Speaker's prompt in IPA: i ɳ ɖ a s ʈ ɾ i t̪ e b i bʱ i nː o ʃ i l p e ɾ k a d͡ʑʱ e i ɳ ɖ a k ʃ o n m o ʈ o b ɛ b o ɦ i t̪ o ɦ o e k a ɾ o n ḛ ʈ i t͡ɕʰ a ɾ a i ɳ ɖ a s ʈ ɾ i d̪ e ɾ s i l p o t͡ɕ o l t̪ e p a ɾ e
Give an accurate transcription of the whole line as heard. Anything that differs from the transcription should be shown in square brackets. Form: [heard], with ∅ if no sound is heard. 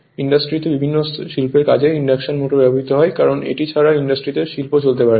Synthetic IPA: i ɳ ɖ a s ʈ ɾ i t̪ e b i bʱ i nː o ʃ i l p e ɾ k a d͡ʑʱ e i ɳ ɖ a k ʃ o n m o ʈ o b ɛ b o ɦ i t̪ o ɦ [ɔ] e k a ɾ o n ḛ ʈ i t͡ɕʰ a ɾ a i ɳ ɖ a s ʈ ɾ i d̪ e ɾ [ʃ] i l p o t͡ɕ o l t̪ e p a ɾ e